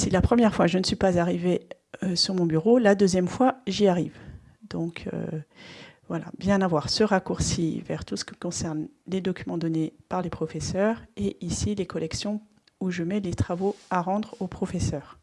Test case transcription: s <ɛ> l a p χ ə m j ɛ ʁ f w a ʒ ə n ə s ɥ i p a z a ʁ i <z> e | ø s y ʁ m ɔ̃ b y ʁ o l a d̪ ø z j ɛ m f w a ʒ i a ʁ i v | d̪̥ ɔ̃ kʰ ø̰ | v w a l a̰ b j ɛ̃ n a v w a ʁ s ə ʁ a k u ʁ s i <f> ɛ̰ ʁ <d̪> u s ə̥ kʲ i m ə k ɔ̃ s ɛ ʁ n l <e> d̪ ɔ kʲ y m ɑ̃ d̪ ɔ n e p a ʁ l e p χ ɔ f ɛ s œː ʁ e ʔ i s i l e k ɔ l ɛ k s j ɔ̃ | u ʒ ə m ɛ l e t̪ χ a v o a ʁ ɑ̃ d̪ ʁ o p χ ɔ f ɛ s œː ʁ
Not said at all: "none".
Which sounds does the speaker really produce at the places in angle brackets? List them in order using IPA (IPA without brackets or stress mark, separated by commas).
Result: i, v, v, t̪, e